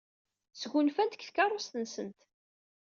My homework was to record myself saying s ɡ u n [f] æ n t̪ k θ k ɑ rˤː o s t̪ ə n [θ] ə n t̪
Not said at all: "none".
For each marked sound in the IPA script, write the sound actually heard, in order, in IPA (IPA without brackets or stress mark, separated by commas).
f, s